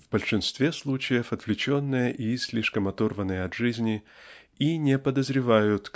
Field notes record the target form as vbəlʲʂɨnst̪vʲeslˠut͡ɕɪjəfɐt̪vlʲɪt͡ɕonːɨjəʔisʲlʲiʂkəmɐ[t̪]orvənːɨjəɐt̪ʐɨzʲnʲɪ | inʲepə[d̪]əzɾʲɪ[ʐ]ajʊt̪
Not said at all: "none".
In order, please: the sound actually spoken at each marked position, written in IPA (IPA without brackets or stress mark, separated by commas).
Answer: t̪, d̪, v